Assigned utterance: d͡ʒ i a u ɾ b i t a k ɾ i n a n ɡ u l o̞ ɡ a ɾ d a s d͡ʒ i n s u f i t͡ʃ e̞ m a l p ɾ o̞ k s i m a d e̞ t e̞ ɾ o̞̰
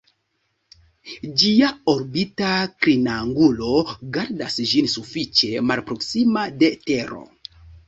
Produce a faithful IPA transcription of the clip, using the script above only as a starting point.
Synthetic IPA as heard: d͡ʒ i a o ɾ b i t a k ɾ i n a ŋ ɡ u l o̞ ɡ a ɾ d a s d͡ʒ i n s u f i t͡ʃ e̞ m a l p ɾ o̞ k s i m a d e̞ t e̞ ɾ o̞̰